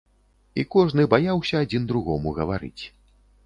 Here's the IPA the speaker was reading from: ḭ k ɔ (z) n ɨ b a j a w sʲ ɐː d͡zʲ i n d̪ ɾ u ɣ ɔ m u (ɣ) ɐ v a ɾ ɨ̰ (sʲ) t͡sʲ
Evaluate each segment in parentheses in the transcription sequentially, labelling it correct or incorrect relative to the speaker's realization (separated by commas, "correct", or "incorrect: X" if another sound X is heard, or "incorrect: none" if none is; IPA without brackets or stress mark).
incorrect: ʐ, correct, incorrect: none